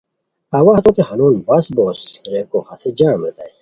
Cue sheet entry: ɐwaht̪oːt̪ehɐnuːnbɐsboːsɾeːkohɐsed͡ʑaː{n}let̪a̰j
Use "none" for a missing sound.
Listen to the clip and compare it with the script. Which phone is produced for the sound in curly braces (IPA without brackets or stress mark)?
m